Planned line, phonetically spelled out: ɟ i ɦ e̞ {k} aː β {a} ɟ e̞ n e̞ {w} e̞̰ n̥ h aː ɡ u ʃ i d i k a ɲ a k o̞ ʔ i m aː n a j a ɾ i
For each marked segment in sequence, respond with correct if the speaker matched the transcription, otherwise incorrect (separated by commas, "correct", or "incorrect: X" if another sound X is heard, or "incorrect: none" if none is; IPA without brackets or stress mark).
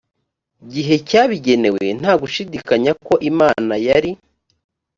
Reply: incorrect: c, incorrect: i, correct